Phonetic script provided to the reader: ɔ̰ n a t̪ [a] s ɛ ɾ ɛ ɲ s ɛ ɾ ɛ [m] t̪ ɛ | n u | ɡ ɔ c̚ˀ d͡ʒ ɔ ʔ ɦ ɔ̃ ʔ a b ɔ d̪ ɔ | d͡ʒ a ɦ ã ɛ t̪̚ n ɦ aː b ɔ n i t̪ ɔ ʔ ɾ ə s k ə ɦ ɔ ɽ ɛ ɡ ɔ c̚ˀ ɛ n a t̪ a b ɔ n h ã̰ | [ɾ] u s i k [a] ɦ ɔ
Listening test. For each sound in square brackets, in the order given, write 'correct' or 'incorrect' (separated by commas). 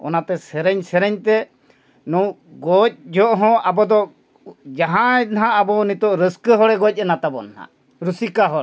incorrect, incorrect, correct, correct